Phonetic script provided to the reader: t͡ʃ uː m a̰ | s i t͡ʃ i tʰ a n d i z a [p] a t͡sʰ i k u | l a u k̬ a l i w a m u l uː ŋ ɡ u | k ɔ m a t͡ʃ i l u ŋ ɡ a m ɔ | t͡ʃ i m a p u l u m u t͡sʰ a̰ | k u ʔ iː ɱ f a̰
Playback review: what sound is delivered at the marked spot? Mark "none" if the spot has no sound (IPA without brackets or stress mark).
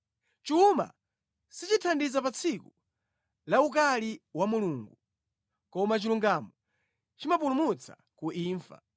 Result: p